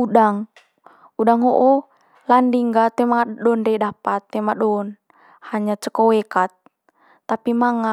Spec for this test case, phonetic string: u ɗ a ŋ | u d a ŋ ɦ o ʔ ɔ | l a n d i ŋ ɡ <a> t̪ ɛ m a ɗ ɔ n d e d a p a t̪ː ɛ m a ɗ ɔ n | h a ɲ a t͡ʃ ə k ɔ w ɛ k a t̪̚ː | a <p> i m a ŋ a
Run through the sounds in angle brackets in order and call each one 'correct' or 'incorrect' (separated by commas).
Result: correct, correct